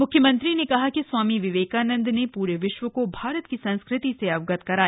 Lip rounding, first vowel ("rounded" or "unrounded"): rounded